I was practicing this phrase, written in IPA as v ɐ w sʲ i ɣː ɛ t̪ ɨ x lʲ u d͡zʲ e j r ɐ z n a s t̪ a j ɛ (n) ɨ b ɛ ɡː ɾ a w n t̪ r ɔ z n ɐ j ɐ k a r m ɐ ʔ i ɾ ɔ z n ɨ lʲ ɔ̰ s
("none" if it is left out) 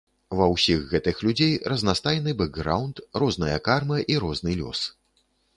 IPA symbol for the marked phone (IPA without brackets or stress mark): n